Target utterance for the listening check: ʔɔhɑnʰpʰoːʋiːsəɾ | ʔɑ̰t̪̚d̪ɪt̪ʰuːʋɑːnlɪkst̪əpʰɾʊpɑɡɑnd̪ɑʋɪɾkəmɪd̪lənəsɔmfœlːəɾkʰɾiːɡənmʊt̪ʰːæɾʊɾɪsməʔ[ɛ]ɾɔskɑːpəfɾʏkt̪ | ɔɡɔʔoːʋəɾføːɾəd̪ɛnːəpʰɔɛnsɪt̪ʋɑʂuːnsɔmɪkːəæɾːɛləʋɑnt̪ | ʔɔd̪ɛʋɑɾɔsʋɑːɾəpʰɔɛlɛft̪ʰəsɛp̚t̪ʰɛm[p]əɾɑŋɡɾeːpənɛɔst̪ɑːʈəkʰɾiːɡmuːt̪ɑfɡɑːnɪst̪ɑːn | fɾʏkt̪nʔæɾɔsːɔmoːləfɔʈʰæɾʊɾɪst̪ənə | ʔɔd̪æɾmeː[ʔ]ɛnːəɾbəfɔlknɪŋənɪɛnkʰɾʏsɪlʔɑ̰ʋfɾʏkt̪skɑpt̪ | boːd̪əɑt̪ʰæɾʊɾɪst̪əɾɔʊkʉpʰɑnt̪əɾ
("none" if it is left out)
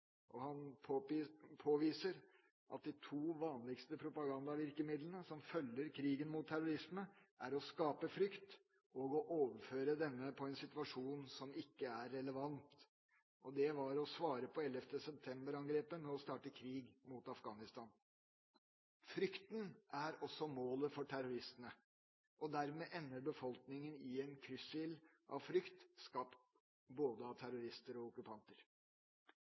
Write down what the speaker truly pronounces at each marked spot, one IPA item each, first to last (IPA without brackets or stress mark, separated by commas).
æ, b, ʔ